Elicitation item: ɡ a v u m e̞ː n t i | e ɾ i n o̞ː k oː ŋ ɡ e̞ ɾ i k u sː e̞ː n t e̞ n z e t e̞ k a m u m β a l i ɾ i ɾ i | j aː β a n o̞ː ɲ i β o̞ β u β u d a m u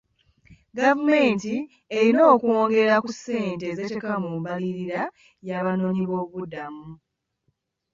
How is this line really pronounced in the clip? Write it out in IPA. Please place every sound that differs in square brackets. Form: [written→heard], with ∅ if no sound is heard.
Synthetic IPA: ɡ a v u m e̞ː n t i | e ɾ i n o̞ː k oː ŋ ɡ e̞ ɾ [i→a] k u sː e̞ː n t e̞ [n→∅] z e t e̞ k a m u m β a l i ɾ i ɾ [i→a] | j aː β a n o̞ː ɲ i β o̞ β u β u d a m u